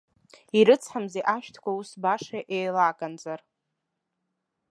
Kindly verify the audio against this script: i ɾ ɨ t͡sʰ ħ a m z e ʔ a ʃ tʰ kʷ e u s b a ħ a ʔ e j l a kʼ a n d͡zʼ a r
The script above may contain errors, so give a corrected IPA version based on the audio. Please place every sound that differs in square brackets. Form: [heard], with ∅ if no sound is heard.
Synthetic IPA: i ɾ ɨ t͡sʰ ħ a m z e ʔ a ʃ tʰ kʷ [a] u s b a [ʂ] a ʔ e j l a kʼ a n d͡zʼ a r